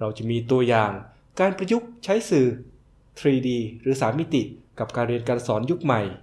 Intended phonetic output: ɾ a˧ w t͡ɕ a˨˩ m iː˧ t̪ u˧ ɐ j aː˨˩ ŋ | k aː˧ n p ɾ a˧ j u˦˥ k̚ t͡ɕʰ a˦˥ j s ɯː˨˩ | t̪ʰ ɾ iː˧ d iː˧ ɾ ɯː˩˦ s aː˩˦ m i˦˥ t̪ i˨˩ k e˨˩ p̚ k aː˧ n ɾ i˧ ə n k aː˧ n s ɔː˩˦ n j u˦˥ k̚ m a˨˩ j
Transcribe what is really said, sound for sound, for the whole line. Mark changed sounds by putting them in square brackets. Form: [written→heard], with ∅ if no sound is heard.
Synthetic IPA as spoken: ɾ a˧ w t͡ɕ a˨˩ m iː˧ t̪ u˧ ɐ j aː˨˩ ŋ | k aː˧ n p ɾ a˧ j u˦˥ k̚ t͡ɕʰ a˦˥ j s ɯː˨˩ | t̪ʰ ɾ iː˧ d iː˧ ɾ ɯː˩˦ s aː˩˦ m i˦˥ t̪ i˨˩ k [e˨˩→a˨˩] p̚ k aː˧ n ɾ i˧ ə n k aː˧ n s ɔː˩˦ n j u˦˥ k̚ m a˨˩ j